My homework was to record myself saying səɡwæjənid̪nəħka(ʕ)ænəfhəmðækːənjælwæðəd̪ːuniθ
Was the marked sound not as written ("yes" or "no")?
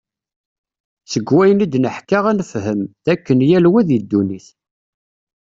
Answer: yes